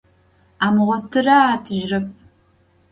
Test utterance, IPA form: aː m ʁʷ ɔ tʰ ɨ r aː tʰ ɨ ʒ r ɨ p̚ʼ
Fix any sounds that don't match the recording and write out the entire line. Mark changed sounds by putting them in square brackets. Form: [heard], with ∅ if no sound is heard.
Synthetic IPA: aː m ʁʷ ɔ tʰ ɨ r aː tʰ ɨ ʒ r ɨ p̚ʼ